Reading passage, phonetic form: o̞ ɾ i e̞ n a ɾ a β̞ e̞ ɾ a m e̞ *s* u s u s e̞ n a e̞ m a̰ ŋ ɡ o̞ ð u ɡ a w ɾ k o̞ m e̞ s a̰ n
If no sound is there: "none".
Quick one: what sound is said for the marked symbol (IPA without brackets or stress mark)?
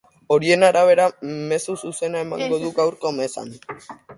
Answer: s